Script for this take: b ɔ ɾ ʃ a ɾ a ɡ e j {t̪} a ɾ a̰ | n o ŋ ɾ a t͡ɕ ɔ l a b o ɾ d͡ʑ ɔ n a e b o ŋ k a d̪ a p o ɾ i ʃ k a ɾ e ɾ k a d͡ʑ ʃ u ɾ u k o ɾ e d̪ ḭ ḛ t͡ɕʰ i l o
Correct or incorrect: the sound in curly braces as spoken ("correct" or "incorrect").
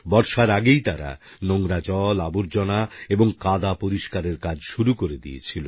correct